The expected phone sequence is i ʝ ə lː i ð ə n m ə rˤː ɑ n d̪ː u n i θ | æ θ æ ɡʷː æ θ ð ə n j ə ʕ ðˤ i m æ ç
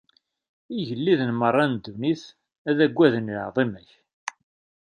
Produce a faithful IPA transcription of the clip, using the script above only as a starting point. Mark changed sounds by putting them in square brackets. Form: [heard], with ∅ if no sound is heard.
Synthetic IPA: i ʝ ə lː i ð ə n m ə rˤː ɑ n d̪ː u n i θ | æ [ð] æ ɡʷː æ [∅] ð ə n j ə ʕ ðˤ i m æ ç

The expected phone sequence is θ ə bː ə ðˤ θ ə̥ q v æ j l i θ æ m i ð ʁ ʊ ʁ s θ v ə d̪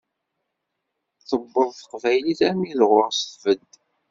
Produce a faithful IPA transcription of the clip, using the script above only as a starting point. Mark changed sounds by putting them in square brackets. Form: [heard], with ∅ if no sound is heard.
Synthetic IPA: θ ə bː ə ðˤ θ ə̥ q v æ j l i θ æ m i ð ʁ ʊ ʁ s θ v ə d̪

